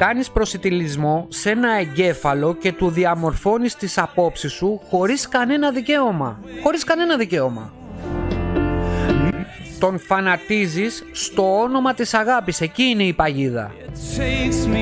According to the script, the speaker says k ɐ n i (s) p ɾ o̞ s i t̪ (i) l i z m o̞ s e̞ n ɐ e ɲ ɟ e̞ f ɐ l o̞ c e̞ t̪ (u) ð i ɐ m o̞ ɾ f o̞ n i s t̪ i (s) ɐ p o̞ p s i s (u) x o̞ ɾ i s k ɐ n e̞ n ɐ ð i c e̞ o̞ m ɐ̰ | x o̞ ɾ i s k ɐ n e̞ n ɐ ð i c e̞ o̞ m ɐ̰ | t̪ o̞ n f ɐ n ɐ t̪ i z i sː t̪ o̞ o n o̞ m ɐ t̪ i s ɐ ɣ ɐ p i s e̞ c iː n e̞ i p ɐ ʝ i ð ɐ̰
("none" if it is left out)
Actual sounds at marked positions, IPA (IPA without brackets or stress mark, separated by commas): s, i, u, s, u